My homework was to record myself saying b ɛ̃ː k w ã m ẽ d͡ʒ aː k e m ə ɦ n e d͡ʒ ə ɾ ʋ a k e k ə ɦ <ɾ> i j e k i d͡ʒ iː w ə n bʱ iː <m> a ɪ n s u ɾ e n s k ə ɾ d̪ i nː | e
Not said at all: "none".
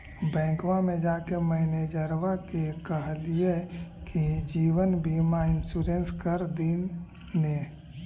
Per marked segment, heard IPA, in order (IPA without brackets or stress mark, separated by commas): l, m